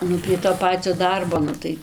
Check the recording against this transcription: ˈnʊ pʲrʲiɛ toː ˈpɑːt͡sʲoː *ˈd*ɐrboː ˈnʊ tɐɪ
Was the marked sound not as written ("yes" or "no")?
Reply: no